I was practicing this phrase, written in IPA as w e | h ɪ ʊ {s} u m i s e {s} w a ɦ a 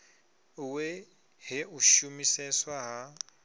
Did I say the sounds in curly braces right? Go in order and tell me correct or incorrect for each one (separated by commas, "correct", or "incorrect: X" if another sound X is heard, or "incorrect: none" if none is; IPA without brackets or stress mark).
incorrect: ʃ, correct